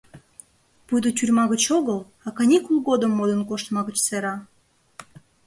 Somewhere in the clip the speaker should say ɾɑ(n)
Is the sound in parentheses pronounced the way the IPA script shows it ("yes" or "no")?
no